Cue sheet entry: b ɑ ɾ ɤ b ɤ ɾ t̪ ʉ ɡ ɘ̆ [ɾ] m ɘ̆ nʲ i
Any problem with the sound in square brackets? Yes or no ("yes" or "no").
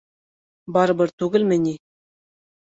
yes